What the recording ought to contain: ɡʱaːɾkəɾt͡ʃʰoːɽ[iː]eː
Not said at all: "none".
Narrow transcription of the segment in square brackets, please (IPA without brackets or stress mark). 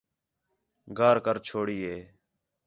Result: iː